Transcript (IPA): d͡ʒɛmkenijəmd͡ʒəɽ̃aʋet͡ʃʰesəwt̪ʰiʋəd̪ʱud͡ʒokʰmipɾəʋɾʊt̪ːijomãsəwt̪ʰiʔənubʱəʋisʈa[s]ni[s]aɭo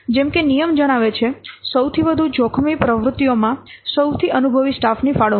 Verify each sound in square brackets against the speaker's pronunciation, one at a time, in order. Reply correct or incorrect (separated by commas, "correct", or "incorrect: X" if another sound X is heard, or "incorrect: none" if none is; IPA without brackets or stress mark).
incorrect: f, incorrect: f